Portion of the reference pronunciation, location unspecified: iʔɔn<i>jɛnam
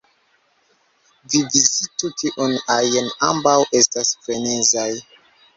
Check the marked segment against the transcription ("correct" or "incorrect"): incorrect